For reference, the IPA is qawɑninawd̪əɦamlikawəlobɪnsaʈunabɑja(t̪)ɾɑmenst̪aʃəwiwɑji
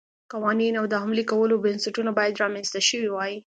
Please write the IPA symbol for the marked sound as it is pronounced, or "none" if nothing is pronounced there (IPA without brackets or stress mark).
d̪